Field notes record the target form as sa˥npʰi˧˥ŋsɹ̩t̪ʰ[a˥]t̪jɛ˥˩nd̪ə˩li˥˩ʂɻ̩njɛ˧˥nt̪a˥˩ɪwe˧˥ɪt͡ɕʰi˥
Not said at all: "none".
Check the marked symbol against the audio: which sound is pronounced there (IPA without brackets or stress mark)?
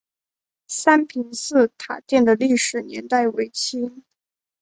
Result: a˨˩